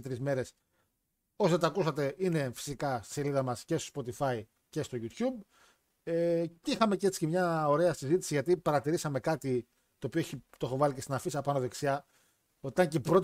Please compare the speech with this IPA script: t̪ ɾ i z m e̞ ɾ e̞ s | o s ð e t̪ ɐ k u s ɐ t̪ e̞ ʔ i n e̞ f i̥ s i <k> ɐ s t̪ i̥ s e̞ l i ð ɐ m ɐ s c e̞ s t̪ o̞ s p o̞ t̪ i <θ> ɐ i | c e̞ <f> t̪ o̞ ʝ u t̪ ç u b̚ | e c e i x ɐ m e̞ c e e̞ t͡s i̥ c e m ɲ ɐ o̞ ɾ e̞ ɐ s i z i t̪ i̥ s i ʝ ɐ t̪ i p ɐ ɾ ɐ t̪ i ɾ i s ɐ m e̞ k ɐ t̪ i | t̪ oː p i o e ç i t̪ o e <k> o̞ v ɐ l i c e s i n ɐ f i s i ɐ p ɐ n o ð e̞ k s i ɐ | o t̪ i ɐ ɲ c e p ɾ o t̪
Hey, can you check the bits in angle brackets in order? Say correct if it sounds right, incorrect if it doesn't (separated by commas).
correct, incorrect, incorrect, incorrect